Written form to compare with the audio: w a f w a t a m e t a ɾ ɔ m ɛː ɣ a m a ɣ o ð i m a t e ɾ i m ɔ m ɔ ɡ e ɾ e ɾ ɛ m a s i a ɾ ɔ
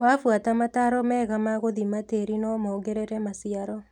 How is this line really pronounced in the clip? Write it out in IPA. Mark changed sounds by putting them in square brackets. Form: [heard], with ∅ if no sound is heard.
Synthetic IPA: w a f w a t a m [a] t a ɾ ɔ m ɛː ɣ a m a ɣ o ð i m a t e ɾ i [n] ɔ m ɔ ɡ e ɾ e ɾ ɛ m a s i a ɾ ɔ

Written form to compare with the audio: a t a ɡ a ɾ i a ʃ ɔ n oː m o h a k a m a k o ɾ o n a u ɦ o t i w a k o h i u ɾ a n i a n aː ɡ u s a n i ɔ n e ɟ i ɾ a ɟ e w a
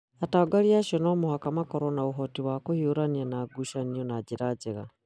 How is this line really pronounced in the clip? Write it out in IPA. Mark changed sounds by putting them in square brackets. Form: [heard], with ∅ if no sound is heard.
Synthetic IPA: a t a ɡ a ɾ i a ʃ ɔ n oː m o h a k a m a k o ɾ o n a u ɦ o t i w a k o h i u ɾ a n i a n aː ɡ u [ʃ] a n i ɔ n [a] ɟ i ɾ a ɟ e [ɣ] a

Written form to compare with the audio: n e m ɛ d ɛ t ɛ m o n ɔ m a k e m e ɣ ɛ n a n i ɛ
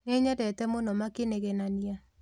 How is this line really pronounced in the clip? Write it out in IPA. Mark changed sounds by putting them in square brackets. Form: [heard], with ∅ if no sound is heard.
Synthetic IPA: n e [ɲ] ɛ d ɛ t ɛ m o n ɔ m a k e [n] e ɣ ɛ n a n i [a]

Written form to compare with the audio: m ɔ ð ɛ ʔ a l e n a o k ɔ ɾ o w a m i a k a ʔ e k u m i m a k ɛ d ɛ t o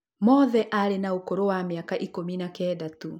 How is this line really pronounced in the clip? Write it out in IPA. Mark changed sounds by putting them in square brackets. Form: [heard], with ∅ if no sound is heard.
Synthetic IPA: m ɔ ð ɛ ʔ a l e n a [u] k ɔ ɾ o w a m i a k a ʔ [i] k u m i [n] a k ɛ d [a] t [u]

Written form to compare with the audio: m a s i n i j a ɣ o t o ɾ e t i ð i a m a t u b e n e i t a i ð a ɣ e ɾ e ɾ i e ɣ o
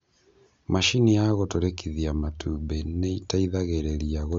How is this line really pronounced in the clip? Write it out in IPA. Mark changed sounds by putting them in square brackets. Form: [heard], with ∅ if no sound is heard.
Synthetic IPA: m a [ʃ] i n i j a ɣ o t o ɾ e [k] i ð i a m a t u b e n e i t a i ð a ɣ e ɾ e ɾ i [a] ɣ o

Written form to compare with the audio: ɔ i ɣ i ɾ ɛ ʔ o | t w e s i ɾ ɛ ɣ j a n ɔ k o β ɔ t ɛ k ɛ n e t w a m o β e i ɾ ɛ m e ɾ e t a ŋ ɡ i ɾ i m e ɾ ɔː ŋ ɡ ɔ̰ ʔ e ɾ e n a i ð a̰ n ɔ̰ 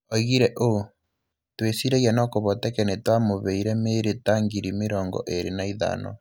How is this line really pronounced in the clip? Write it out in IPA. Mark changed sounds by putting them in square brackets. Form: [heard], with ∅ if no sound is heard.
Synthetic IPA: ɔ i ɣ i ɾ ɛ ʔ o | t w e s i ɾ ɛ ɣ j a n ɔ k o β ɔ t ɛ k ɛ n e t w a m o β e i ɾ ɛ m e ɾ e t a ŋ ɡ i ɾ i m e ɾ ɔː ŋ ɡ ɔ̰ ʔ e ɾ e n a i ð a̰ n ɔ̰

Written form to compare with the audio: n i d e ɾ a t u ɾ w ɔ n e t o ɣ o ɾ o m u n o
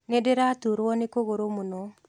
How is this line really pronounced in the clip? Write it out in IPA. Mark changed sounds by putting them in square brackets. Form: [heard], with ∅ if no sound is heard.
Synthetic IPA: n [e] d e ɾ a t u ɾ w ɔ n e [k] o ɣ o ɾ o m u n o

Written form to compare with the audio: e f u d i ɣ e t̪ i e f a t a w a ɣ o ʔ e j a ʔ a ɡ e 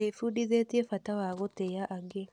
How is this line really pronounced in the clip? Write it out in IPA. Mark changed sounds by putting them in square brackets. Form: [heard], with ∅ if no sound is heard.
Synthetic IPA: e f u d i [ð] e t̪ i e f a t a w a ɣ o [t] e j a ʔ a ɡ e

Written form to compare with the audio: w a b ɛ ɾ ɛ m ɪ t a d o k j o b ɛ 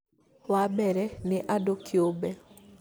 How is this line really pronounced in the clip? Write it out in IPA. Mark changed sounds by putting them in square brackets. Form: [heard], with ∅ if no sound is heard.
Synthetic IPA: w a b ɛ ɾ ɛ [n] ɪ [ʔ] a d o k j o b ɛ

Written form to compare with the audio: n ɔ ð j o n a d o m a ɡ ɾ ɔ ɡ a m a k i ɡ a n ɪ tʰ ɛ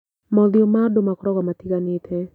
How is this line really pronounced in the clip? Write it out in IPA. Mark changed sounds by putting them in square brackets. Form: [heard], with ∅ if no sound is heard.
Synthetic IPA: [m] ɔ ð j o [m] a d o m a [k] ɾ ɔ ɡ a m a [t] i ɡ a n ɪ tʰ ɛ

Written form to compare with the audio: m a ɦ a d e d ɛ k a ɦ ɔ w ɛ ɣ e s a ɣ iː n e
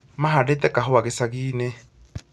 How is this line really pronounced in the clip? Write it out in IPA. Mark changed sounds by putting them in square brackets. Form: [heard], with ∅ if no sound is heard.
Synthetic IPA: m a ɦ a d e [t] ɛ k a ɦ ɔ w [a] ɣ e s a ɣ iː n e

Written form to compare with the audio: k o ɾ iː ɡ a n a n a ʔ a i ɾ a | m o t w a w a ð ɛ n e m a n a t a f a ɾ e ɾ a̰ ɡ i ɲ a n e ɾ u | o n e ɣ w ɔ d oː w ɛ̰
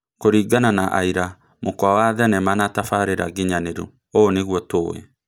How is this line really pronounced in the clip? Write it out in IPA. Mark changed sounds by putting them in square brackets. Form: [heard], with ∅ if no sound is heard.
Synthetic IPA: k o ɾ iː ɡ a n a n a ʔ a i ɾ a | m o [k] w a w a ð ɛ n [ɛ] m a n a t a f a ɾ e ɾ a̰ ɡ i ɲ a n e ɾ u | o n e ɣ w ɔ [t] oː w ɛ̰

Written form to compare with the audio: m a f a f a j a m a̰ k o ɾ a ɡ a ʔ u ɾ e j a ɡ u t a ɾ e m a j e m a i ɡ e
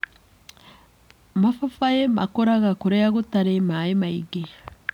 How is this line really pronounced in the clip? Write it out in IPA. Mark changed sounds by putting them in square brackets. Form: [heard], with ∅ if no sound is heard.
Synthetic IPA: m a f a f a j [e] m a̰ k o ɾ a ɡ a [k] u ɾ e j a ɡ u t a ɾ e m a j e m a i ɡ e

